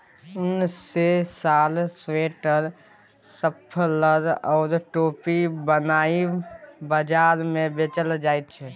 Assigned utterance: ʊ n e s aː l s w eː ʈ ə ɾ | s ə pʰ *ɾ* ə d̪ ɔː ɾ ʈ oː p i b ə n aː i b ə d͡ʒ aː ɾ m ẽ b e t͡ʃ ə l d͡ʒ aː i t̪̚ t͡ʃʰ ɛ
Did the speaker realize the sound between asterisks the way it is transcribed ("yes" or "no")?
no